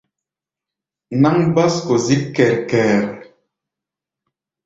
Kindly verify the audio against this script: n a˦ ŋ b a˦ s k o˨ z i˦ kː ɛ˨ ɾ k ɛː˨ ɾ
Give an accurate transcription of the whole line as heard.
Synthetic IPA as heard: n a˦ ŋ b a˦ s k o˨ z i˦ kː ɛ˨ ɾ k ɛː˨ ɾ